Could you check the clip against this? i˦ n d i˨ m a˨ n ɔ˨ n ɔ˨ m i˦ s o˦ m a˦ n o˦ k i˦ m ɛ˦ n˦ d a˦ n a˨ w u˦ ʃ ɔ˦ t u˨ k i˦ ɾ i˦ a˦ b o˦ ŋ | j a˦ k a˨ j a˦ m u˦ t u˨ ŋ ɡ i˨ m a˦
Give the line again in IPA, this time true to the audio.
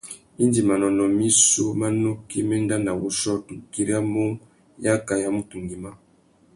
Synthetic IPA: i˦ n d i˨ m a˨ n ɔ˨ n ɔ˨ m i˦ s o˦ m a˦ n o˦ k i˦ m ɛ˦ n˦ d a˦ n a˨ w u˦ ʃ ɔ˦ t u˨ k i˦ ɾ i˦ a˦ m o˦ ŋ | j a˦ k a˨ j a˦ m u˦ t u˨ ŋ ɡ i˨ m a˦

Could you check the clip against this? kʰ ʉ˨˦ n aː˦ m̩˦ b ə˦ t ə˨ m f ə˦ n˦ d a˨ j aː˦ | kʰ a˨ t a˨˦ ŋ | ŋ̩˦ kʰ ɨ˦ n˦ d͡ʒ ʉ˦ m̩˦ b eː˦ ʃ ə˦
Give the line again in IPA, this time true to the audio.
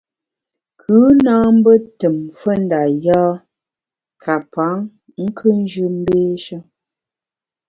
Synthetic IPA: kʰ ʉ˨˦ n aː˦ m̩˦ b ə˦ t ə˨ m f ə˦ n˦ d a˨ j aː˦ | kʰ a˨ p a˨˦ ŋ | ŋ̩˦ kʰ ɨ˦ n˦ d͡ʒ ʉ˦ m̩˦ b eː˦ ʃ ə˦

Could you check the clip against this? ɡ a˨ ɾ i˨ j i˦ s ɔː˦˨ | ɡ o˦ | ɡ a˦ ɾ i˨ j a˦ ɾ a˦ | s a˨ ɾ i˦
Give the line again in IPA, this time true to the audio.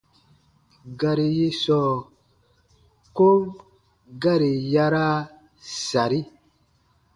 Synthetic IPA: ɡ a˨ ɾ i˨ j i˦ s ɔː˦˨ | k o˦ | ɡ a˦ ɾ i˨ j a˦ ɾ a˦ | s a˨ ɾ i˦

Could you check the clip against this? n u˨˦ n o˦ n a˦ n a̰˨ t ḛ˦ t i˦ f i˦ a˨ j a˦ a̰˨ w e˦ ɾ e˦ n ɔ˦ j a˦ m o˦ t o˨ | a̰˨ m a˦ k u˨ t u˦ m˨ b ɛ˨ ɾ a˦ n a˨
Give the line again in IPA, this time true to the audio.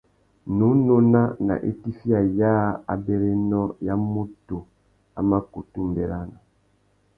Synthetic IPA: n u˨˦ n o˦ n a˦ n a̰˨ ʔ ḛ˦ t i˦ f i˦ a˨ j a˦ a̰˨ b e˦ ɾ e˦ n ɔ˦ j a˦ m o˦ t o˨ | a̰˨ m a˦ k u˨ t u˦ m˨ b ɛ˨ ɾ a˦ n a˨

